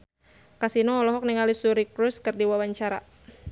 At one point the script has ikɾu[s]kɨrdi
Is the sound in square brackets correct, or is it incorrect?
correct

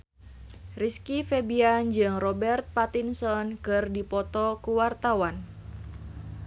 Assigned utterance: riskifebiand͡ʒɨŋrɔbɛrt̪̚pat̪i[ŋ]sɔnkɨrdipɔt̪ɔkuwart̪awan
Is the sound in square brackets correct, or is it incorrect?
incorrect: n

